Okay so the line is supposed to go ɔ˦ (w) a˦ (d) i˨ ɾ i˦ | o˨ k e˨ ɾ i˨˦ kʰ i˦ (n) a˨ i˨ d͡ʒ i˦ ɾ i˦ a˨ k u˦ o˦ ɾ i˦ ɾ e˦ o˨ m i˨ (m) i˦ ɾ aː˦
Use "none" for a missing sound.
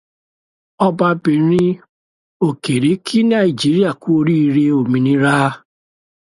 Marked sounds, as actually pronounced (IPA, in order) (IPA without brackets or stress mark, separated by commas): b, b, n, n